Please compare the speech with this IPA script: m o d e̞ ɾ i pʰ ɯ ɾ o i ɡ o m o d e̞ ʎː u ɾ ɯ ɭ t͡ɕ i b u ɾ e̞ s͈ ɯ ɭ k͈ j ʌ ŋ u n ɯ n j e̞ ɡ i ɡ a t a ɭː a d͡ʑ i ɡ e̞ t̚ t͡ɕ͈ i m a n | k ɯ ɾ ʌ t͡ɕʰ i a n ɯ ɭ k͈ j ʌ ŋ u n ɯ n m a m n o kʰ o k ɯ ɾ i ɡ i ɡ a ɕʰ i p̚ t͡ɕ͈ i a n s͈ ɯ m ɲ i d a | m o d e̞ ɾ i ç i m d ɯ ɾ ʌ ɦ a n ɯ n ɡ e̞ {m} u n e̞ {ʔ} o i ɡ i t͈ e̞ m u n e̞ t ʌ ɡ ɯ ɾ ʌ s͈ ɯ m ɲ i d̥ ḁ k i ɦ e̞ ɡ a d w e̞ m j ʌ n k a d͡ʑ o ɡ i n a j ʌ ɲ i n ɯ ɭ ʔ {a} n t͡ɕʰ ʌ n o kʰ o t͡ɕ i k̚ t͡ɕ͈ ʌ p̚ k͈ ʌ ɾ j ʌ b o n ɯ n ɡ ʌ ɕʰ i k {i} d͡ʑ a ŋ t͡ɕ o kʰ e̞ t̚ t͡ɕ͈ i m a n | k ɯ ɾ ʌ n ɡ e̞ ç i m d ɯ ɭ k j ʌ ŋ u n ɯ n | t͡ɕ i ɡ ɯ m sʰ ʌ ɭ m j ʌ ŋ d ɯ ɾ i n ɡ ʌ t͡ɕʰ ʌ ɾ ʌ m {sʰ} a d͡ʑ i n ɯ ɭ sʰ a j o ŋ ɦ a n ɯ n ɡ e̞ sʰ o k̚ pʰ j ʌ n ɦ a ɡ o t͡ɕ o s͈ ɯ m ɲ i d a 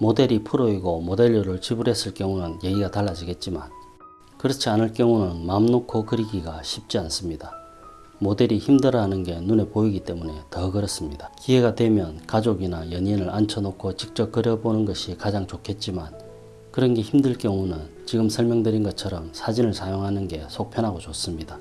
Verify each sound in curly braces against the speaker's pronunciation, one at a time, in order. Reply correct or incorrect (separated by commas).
incorrect, incorrect, correct, incorrect, correct